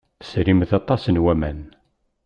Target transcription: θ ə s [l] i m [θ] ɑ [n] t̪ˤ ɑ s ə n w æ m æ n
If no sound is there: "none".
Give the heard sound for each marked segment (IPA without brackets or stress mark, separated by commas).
ɾ, θ, none